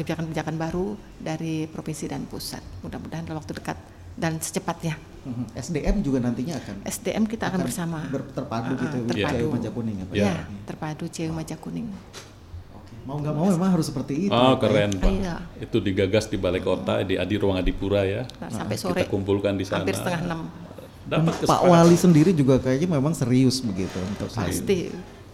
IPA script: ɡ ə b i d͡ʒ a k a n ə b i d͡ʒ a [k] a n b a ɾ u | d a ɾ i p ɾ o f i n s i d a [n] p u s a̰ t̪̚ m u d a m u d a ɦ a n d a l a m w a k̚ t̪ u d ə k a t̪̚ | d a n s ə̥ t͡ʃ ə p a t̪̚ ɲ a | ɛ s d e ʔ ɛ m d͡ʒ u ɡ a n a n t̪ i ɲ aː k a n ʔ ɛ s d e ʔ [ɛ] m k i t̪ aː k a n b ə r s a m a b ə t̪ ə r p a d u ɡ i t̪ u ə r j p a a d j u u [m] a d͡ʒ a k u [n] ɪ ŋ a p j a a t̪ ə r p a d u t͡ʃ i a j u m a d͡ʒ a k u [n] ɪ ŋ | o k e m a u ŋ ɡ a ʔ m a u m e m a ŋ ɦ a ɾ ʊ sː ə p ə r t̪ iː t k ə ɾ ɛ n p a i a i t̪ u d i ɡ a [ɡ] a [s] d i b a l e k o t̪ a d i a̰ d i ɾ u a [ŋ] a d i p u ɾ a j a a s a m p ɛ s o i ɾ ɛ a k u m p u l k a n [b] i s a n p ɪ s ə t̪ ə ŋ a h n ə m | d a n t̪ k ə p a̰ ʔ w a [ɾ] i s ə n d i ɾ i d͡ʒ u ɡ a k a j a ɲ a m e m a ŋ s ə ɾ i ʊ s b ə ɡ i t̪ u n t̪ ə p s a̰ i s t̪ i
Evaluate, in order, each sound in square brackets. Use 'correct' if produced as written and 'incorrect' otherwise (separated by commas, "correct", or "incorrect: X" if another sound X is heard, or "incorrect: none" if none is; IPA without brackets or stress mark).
correct, correct, correct, correct, correct, correct, correct, correct, correct, incorrect: d, incorrect: l